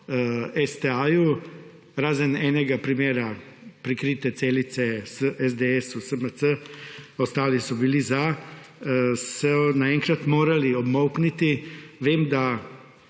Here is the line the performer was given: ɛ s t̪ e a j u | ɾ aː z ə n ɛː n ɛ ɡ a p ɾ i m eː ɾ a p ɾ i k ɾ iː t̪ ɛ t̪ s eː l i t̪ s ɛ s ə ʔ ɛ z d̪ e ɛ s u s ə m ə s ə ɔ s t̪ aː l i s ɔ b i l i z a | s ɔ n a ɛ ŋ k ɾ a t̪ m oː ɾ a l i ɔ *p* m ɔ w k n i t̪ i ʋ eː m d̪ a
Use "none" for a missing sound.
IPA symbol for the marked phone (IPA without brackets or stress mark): b